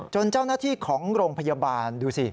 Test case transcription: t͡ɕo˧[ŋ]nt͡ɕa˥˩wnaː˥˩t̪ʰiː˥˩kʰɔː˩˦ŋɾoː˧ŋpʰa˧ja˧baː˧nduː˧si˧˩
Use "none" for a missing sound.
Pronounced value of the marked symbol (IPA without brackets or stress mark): none